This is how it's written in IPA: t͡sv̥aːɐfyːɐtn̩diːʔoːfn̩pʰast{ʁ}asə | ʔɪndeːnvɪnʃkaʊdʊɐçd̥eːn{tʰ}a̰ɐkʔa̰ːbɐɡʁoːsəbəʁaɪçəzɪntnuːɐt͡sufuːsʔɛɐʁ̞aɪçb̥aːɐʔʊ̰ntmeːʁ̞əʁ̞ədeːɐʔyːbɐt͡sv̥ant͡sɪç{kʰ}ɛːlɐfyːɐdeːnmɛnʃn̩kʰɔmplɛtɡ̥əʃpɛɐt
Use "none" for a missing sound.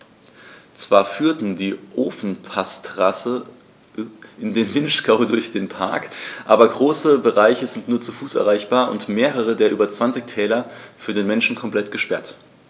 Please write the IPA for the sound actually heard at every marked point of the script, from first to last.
ʁ, pʰ, tʰ

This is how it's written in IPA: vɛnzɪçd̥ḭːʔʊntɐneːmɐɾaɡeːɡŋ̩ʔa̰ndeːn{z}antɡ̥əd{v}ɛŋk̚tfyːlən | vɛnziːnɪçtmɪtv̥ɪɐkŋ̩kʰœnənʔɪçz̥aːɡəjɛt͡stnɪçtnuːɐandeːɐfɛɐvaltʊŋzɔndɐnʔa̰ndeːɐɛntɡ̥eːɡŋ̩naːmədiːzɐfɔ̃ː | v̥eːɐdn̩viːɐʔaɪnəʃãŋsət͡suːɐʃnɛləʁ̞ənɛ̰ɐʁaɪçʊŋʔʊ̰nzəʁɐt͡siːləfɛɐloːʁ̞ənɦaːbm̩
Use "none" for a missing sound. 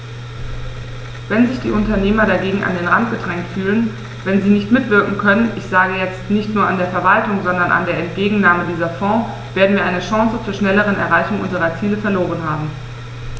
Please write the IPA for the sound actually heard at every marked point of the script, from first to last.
ʁ, ʁ

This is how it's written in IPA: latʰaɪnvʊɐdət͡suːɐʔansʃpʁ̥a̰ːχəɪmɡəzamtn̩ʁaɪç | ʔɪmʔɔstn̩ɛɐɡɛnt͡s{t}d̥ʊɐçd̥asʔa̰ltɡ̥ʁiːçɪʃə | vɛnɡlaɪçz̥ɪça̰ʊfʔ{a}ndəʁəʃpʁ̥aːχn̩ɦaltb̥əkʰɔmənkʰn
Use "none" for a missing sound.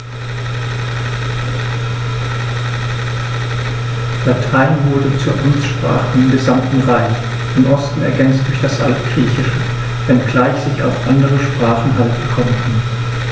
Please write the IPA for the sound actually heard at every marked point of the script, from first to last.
t, a

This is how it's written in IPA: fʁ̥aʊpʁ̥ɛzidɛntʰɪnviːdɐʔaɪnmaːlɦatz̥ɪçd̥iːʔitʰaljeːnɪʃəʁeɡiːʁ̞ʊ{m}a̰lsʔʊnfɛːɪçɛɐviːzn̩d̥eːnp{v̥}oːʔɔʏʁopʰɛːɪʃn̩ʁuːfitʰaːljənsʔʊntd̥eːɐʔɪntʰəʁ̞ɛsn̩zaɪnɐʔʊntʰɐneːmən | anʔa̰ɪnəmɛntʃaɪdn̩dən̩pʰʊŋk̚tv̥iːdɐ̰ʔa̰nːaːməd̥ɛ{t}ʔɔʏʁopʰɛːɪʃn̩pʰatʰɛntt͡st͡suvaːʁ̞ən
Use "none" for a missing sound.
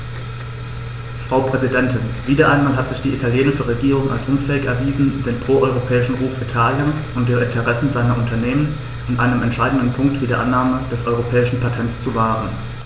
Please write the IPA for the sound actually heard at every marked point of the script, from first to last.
ŋ, ʁ̥, s

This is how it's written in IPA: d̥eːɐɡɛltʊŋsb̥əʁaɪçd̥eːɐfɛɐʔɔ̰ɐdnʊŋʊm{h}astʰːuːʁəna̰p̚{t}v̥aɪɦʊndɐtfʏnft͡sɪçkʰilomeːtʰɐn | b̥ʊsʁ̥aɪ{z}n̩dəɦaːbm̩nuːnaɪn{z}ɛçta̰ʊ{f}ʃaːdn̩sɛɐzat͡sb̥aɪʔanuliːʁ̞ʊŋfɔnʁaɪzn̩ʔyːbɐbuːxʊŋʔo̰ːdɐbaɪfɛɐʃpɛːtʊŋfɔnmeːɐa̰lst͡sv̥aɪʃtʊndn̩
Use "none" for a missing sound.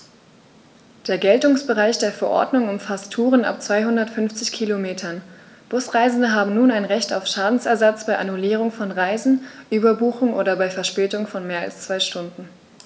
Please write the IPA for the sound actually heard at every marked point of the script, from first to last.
f, t͡s, z, ʁ, f

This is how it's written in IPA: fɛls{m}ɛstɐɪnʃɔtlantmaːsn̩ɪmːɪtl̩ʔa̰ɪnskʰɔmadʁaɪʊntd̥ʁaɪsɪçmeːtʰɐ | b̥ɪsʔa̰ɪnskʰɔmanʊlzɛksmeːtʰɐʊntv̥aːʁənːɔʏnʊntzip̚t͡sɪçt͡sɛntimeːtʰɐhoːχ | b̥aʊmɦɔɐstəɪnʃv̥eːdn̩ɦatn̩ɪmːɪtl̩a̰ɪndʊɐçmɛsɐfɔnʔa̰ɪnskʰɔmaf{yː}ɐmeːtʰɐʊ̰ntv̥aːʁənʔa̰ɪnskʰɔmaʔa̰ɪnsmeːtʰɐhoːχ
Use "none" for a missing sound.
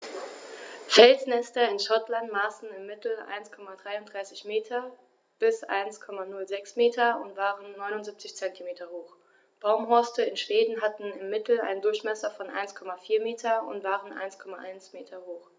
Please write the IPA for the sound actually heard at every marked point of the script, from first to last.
n, iː

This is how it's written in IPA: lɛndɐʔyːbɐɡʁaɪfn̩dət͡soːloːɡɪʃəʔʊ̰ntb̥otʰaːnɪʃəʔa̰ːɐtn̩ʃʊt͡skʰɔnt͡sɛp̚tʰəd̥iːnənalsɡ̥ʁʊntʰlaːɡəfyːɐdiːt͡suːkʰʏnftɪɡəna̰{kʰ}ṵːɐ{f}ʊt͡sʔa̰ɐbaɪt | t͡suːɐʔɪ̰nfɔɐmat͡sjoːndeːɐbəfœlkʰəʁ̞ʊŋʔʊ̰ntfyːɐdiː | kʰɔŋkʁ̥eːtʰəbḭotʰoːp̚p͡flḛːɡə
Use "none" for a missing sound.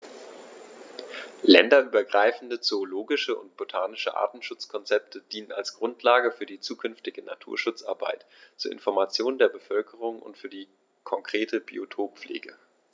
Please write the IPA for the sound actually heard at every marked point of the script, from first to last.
tʰ, ʃ

